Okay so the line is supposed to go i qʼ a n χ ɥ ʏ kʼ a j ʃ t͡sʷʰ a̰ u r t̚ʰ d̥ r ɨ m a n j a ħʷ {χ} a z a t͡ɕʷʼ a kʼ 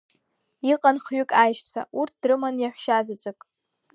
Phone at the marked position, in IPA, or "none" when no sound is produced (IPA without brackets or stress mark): ʃ